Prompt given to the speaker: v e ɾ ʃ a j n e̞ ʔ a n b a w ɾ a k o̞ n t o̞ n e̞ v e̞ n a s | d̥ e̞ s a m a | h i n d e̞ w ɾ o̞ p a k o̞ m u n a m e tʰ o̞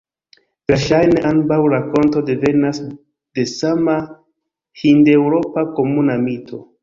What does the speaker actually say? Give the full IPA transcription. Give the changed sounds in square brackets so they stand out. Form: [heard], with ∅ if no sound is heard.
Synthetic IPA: v e ɾ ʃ a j n e̞ ʔ a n b a w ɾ a k o̞ n t o̞ [d] e̞ v e̞ n a s | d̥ e̞ s a m a | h i n d e̞ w ɾ o̞ p a k o̞ m u n a m [i] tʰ o̞